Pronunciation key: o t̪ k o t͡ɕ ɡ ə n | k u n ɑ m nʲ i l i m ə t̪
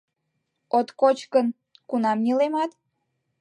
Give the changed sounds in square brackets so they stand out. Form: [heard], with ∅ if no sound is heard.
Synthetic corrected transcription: o t̪ k o t͡ɕ [k] ə n | k u n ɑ m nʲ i l [e] m [ɑ] t̪